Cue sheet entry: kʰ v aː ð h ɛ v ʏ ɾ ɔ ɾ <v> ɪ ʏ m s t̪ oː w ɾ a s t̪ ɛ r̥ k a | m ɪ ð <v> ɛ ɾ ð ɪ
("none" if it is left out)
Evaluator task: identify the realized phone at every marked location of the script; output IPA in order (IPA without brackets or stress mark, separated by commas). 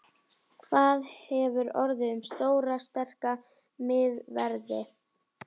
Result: ð, v